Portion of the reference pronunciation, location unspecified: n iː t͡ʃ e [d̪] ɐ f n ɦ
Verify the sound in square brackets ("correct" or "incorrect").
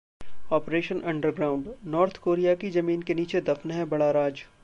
correct